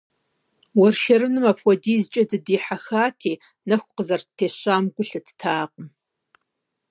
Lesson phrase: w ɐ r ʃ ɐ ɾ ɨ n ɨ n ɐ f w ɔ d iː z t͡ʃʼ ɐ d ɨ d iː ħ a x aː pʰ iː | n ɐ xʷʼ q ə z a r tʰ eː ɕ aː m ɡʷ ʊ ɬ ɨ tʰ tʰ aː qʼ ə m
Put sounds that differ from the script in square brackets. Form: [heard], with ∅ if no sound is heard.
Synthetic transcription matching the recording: w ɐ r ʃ ɐ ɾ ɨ n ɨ [m] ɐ f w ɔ d iː z t͡ʃʼ ɐ d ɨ d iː ħ a x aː [tʰ] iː | n ɐ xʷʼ q ə z [ɐ] r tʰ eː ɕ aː m ɡʷ ʊ ɬ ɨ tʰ tʰ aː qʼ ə m